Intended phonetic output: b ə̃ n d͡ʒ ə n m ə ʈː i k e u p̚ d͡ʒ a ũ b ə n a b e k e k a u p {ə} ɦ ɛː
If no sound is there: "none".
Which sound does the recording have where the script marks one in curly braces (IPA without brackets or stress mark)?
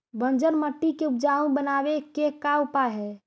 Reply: a